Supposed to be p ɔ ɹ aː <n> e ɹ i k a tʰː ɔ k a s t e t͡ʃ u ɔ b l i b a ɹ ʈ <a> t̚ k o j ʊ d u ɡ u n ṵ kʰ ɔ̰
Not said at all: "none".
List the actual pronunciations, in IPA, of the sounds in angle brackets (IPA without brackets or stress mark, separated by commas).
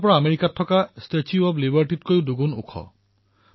m, i